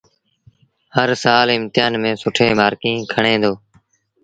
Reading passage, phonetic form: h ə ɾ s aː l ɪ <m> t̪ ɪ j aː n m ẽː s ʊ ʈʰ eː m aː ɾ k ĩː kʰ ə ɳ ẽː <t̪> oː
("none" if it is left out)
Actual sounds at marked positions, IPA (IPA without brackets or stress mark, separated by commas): m, d̪